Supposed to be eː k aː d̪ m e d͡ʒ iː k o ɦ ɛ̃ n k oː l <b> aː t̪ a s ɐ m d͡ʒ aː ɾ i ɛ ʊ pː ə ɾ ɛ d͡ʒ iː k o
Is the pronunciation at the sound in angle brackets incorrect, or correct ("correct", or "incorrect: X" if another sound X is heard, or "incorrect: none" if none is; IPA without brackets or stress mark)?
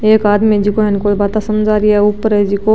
correct